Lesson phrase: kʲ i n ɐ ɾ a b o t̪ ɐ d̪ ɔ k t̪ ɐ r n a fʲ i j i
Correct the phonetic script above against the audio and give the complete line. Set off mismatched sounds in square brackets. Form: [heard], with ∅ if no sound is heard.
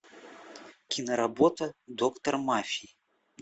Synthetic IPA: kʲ i n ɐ ɾ a b [ɔ] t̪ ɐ d̪ ɔ k t̪ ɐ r [m] a fʲ i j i